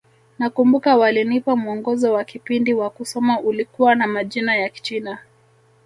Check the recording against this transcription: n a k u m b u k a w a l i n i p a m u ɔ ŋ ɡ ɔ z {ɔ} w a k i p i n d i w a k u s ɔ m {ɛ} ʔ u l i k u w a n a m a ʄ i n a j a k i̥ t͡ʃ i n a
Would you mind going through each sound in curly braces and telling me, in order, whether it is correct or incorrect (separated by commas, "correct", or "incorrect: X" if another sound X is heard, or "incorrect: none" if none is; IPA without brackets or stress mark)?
correct, incorrect: a